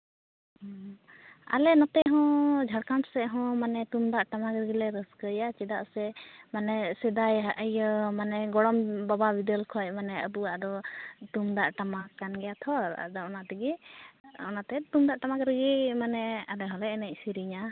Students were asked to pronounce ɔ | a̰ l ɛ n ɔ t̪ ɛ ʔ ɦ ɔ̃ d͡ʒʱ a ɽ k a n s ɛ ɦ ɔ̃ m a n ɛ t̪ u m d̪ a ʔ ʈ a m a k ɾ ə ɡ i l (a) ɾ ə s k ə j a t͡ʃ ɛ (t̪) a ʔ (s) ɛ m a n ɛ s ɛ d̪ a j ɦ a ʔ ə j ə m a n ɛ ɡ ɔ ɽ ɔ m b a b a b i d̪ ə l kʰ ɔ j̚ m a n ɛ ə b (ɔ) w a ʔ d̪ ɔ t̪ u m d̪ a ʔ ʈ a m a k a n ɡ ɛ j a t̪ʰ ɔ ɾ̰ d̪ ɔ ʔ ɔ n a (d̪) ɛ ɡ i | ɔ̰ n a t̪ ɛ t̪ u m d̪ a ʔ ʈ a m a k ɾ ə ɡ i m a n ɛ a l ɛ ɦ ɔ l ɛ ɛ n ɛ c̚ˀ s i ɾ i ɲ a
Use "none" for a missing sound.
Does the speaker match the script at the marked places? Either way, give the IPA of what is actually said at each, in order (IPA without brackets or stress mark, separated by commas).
ɛ, d̪, s, u, t̪